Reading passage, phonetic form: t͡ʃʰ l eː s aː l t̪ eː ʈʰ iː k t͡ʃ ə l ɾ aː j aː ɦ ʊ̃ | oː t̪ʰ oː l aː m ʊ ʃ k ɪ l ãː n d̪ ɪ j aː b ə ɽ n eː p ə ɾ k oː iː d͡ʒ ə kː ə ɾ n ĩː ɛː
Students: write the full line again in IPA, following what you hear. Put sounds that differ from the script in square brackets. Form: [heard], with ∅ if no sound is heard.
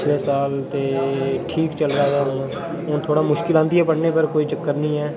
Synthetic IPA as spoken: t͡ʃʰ l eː s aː l t̪ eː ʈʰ iː k t͡ʃ ə l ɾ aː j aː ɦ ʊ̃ | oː t̪ʰ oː [ɽ] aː m ʊ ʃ k ɪ l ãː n d̪ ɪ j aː [p] ə ɽ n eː p ə ɾ k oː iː d͡ʒ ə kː ə ɾ n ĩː ɛː